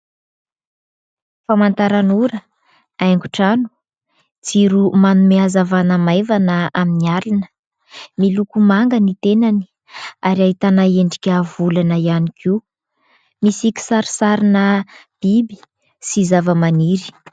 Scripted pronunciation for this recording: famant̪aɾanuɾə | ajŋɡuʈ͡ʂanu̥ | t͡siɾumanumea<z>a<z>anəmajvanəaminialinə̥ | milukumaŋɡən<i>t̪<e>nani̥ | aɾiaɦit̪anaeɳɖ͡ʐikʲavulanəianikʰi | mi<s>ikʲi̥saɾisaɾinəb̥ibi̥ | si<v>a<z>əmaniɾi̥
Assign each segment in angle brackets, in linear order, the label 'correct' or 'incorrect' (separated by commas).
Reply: correct, incorrect, correct, correct, correct, incorrect, incorrect